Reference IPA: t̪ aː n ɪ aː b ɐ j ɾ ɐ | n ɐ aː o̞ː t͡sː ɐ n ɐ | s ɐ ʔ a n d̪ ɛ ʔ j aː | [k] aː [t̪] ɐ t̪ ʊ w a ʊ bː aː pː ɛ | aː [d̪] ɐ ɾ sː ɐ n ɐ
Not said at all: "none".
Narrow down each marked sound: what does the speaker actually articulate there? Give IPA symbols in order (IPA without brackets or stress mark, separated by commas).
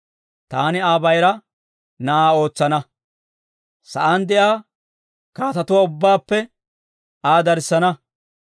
k, t̪, d̪